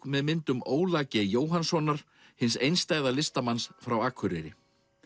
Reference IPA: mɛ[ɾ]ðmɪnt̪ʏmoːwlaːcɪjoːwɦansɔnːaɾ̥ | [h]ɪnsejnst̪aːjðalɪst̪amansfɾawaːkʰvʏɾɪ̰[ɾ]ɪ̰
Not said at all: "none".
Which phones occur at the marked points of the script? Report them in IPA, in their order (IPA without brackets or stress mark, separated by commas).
none, h, ɾ